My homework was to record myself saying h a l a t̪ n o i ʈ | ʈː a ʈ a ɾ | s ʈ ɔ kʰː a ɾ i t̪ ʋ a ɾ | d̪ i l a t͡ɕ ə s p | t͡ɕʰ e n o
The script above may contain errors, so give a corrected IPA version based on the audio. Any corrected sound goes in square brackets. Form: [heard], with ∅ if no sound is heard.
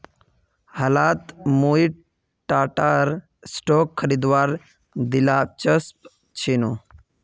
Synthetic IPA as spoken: h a l a t̪ [m] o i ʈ | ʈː a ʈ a ɾ | s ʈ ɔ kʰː [ə] ɾ i [d̪] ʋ a ɾ | d̪ i l a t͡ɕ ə s p | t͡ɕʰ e n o